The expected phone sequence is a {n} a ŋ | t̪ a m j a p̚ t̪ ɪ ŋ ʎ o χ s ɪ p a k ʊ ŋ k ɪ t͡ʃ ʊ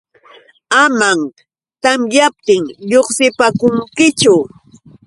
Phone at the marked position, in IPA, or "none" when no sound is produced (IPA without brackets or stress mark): m